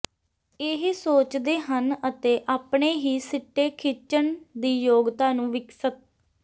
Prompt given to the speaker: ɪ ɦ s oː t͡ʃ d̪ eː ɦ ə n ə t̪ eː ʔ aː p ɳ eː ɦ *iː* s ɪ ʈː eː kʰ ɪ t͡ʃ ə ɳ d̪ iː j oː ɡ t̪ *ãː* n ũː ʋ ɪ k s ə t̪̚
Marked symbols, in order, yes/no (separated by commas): yes, no